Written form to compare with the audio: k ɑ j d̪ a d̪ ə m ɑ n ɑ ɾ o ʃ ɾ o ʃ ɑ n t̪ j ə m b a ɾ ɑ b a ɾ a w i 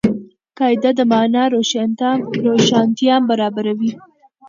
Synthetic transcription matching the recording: k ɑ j d̪ a d̪ ə m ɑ n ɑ ɾ o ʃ ɾ o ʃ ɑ n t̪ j ɑ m b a ɾ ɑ b a ɾ a w i